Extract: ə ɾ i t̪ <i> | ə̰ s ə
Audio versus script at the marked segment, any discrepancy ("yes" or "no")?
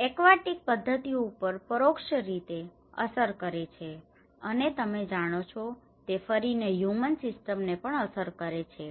yes